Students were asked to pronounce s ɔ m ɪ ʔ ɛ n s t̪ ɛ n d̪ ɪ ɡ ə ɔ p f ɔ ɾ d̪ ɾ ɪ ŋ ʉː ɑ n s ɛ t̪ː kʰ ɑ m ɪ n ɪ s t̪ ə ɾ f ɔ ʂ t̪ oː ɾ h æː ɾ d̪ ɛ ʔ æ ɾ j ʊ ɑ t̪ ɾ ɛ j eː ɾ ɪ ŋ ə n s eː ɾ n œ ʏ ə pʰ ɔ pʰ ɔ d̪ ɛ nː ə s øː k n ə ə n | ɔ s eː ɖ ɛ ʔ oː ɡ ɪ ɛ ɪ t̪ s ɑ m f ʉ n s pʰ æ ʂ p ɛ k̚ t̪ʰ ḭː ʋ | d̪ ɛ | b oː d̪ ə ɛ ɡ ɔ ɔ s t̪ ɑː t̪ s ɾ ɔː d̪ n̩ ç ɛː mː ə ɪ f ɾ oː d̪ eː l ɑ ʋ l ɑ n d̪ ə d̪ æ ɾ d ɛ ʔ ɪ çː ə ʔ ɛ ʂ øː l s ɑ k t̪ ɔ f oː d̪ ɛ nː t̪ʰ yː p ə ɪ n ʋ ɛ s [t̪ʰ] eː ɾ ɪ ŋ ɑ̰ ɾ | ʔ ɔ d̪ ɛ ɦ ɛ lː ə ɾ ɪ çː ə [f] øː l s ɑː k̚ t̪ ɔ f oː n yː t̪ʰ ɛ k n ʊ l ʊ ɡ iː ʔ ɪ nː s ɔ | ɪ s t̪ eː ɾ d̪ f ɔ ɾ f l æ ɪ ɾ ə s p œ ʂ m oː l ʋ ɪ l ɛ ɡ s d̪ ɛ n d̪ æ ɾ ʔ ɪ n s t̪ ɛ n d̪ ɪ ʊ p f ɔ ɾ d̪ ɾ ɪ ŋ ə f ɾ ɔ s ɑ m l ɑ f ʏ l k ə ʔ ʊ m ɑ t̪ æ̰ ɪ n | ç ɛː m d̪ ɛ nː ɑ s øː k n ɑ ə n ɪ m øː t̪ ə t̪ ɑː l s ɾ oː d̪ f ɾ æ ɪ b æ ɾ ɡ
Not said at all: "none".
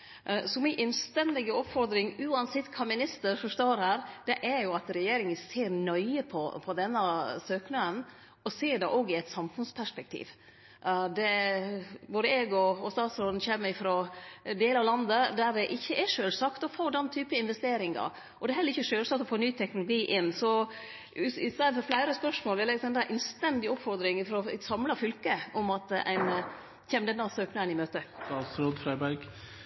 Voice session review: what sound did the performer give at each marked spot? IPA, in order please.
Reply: t̪, ʂ

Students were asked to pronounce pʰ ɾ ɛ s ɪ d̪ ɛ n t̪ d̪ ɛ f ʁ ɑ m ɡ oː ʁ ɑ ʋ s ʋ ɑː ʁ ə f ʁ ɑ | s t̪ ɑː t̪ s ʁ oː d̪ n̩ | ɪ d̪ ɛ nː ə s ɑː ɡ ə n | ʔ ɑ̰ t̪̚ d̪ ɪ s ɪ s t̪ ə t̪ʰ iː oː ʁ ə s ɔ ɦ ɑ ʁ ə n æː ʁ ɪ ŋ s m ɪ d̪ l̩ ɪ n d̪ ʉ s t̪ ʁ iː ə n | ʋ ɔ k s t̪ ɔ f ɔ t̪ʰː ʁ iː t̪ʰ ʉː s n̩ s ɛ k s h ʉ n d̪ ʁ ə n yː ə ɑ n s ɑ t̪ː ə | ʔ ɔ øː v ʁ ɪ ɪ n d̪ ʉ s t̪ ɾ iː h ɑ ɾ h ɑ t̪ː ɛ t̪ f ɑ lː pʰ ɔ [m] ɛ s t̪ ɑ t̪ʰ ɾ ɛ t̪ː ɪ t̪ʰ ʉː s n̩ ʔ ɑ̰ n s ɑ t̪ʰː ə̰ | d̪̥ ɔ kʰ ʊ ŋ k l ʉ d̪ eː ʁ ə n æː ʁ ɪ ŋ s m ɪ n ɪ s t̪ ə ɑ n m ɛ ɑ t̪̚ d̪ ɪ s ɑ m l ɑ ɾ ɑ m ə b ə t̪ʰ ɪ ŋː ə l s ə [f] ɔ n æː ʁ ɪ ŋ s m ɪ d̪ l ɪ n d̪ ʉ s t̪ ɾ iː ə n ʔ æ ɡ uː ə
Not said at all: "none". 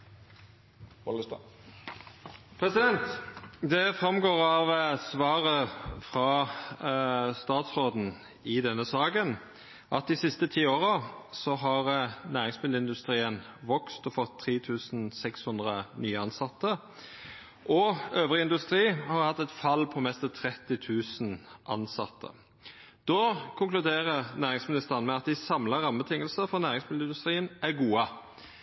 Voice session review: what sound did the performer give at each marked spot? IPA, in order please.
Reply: m, f

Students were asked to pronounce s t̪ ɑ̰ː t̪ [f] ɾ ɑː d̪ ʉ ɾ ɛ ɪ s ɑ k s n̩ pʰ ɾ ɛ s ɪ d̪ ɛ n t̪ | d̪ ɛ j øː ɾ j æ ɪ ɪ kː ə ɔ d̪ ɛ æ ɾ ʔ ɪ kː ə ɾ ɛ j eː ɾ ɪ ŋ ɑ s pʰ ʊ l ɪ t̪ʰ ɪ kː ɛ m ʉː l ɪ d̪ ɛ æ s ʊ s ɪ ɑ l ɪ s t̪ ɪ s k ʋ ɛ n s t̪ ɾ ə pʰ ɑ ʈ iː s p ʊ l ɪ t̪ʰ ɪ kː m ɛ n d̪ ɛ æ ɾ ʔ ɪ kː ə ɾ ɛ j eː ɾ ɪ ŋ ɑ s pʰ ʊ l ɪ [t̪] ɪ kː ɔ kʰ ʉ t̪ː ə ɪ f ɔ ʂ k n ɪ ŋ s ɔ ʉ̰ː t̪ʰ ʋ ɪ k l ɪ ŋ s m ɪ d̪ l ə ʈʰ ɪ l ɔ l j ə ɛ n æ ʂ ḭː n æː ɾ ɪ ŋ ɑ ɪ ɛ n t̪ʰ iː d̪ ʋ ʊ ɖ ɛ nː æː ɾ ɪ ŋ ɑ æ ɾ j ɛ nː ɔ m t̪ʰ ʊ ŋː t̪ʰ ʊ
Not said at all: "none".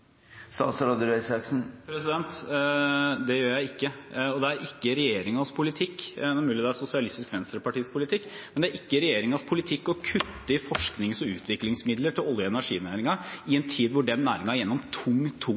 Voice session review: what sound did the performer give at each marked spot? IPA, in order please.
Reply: s, t̪ʰ

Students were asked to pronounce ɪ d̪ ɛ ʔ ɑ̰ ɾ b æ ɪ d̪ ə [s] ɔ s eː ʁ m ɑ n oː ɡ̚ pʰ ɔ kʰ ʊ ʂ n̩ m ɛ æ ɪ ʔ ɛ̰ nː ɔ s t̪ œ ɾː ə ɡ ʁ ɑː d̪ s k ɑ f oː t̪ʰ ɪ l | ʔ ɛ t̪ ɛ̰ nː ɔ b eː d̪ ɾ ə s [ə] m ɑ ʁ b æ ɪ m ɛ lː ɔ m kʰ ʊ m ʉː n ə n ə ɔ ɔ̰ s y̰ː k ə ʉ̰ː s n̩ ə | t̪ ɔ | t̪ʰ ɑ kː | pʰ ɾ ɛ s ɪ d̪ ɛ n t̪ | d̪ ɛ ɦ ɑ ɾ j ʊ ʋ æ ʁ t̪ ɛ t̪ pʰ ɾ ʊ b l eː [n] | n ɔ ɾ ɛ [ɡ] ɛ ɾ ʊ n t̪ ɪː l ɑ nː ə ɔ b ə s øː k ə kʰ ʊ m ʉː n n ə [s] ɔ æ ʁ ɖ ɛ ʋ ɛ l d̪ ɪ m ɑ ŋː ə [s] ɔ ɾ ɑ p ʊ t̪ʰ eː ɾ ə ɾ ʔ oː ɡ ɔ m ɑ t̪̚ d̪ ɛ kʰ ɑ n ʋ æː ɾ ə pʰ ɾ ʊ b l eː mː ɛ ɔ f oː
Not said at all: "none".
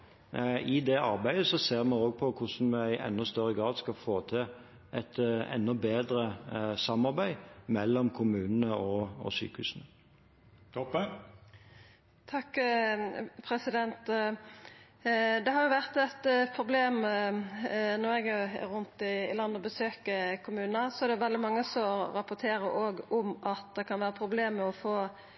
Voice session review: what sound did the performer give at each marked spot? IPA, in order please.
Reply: s, ɑ, m, ɡ, s, s

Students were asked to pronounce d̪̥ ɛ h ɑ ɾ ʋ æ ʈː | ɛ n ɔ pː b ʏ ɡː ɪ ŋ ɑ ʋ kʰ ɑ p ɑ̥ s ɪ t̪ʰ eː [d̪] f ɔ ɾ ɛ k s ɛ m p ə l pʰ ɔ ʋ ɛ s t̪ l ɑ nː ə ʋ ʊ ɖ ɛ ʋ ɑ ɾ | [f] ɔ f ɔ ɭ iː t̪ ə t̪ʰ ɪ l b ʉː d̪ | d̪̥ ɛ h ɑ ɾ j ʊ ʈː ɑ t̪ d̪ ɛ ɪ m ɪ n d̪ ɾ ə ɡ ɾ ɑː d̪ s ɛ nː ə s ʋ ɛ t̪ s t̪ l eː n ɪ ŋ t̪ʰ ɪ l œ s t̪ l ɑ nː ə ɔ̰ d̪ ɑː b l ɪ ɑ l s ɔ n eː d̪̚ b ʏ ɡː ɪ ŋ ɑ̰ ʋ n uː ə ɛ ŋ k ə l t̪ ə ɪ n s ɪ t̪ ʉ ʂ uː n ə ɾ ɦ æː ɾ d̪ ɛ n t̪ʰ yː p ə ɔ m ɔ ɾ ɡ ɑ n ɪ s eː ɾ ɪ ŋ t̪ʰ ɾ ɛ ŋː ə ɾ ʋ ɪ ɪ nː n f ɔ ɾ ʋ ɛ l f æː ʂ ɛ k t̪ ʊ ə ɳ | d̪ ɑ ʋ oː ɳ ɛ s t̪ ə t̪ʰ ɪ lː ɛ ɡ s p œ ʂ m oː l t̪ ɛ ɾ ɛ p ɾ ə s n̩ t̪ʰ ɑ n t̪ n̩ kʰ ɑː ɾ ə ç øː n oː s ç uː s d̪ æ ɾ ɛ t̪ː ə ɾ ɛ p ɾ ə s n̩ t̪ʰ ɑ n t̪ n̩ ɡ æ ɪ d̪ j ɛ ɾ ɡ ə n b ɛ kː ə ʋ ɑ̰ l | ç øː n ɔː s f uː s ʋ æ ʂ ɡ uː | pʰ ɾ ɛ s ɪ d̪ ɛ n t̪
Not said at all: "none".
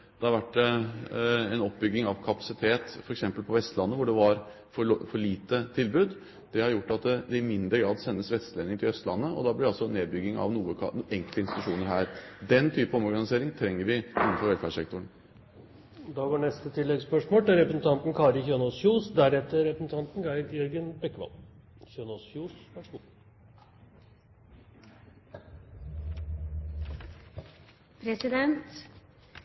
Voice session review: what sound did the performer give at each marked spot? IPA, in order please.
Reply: t̪, f

